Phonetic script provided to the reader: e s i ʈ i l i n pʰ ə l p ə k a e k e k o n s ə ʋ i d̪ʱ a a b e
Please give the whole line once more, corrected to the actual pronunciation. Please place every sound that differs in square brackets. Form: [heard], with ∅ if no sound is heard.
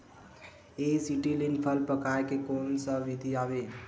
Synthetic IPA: e s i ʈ i l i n pʰ ə l p ə k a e k e k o n s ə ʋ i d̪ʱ [i] a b e